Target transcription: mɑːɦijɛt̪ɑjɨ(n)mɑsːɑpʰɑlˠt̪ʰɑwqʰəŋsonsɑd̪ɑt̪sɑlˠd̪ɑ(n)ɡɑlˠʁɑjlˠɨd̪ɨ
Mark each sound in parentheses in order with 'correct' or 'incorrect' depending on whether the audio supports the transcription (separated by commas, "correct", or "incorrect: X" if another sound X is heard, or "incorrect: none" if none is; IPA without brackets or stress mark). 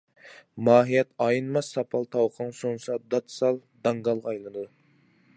correct, incorrect: ŋ